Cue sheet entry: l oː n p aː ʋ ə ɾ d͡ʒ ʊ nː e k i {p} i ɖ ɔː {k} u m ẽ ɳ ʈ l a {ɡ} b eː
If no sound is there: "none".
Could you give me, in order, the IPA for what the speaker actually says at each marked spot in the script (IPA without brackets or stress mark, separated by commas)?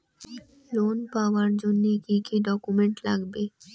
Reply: k, k, ɡ